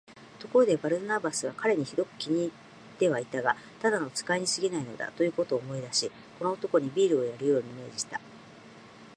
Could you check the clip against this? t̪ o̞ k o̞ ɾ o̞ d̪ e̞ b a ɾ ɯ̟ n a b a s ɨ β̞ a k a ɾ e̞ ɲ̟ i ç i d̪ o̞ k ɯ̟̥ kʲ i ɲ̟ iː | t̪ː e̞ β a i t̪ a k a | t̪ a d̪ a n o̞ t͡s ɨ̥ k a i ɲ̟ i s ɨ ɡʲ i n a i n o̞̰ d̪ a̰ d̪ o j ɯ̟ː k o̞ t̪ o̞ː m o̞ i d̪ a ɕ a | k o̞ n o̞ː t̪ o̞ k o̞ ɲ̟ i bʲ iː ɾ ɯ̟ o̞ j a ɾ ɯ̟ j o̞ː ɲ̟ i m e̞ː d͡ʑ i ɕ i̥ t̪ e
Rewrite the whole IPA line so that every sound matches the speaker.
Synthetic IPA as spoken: t̪ o̞ k o̞ ɾ o̞ d̪ e̞ b a ɾ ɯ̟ n a b a s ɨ β̞ a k a ɾ e̞ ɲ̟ i ç i d̪ o̞ k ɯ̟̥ kʲ i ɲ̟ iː | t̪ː e̞ β a i t̪ a ɡ a | t̪ a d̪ a n o̞ t͡s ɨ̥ k a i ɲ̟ i s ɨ ɡʲ i n a i n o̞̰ d̪ a̰ t̪ o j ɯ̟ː k o̞ t̪ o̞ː m o̞ i d̪ a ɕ i | k o̞ n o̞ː t̪ o̞ k o̞ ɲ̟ i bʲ iː ɾ ɯ̟ o̞ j a ɾ ɯ̟ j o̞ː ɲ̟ i m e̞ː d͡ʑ i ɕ i̥ t̪ a

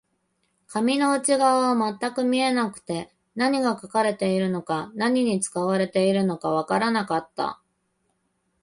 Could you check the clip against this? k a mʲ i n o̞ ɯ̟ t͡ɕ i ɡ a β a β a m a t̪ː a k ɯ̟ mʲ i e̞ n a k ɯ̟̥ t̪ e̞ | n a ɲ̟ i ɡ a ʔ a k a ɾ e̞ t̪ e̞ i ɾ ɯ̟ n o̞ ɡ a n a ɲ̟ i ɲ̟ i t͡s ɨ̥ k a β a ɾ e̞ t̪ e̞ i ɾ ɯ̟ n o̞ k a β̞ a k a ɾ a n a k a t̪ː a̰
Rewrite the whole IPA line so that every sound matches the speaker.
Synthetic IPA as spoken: k a mʲ i n o̞ ɯ̟ t͡ɕ i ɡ a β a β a m a t̪ː a k ɯ̟ mʲ i e̞ n a k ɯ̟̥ t̪ e̞ | n a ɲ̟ i ɡ a k a k a ɾ e̞ t̪ e̞ i ɾ ɯ̟ n o̞ k a n a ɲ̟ i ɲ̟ i t͡s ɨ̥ k a β a ɾ e̞ t̪ e̞ i ɾ ɯ̟ n o̞ k a β̞ a k a ɾ a n a k a t̪ː a̰

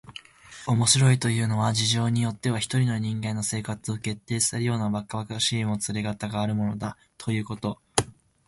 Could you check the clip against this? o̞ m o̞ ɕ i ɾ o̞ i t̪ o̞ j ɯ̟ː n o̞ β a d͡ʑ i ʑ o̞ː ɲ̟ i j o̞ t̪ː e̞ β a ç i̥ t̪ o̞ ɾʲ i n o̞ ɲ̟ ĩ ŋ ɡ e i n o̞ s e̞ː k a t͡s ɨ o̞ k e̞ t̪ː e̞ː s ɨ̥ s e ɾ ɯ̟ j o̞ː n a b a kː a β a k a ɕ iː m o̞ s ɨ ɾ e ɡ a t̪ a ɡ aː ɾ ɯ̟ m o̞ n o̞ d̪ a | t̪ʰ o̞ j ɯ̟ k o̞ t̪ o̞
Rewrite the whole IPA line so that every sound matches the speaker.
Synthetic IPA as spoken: o̞ m o̞ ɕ i ɾ o̞ i t̪ o̞ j ɯ̟ː n o̞ β a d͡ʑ i ʑ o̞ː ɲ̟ i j o̞ t̪ː e̞ β a ç i̥ t̪ o̞ ɾʲ i n o̞ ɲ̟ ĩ ŋ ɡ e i n o̞ s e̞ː k a t͡s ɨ o̞ k e̞ t̪ː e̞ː s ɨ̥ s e ɾ ɯ̟ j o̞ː n a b a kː a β a k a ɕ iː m o̞ t͡s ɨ ɾ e ɡ a t̪ a ɡ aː ɾ ɯ̟ m o̞ n o̞ d̪ a | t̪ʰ o̞ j ɯ̟ː k o̞ t̪ o̞

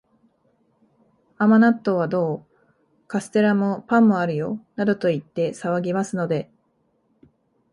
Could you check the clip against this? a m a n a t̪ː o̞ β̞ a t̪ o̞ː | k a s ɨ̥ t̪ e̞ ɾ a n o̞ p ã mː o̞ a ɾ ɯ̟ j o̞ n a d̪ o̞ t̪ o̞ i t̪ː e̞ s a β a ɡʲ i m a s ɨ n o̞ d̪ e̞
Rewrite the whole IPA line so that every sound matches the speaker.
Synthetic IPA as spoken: a m a n a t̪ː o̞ β̞ a d̪ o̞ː | k a s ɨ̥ t̪ e̞ ɾ a m o̞ p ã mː o̞ a ɾ ɯ̟ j o̞ n a d̪ o̞ t̪ o̞ i t̪ː e̞ s a β a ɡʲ i m a s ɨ n o̞ d̪ e̞

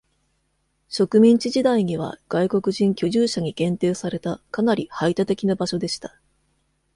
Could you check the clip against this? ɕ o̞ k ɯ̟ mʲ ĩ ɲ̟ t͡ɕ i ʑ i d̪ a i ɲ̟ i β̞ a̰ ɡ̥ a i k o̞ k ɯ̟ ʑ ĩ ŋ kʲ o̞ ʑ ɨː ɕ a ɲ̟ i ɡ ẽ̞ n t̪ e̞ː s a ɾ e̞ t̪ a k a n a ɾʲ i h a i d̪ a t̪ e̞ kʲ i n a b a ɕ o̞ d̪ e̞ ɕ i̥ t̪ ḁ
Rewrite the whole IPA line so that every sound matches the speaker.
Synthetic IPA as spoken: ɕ o̞ k ɯ̟ mʲ ĩ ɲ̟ t͡ɕ i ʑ i d̪ a i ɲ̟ i β̞ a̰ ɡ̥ a i k o̞ k ɯ̟ ʑ ĩ ŋ kʲ o̞ ʑ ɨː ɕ a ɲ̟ i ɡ ẽ̞ n t̪ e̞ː s a ɾ e̞ t̪ a k a n a ɾʲ i h a i t̪ a t̪ e̞ kʲ i n a b a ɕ o̞ d̪ e̞ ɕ i̥ t̪ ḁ

